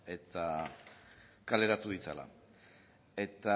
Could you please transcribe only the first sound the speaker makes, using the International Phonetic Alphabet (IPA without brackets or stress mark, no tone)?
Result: e̞